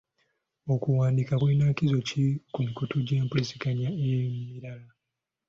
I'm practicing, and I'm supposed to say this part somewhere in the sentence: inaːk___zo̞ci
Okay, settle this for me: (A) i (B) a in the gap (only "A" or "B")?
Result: A